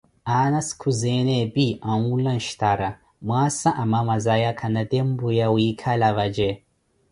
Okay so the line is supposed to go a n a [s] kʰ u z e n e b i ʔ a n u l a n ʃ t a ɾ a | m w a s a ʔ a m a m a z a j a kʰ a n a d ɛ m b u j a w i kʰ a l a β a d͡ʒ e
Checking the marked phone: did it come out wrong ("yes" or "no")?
no